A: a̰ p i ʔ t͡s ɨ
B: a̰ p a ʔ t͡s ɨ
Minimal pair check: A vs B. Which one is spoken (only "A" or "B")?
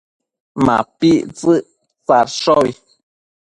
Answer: A